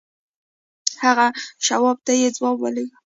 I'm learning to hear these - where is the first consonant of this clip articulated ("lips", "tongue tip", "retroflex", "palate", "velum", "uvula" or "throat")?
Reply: throat